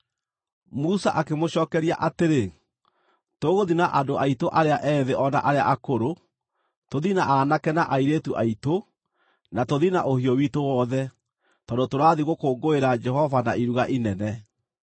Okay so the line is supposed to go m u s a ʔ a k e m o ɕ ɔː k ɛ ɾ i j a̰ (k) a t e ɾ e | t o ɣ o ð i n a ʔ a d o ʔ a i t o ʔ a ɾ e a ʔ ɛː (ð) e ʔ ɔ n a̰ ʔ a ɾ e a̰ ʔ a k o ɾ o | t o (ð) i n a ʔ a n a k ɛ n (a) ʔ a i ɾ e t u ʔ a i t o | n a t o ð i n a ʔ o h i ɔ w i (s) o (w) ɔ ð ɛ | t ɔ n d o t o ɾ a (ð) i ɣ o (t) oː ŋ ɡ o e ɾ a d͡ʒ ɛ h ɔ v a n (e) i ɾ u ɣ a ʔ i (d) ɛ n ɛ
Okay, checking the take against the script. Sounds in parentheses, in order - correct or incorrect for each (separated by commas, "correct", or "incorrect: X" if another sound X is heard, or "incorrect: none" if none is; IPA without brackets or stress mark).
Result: incorrect: ʔ, correct, correct, correct, incorrect: t, correct, correct, incorrect: k, incorrect: a, incorrect: n